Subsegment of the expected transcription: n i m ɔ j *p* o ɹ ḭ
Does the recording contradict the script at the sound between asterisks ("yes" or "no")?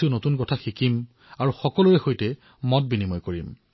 yes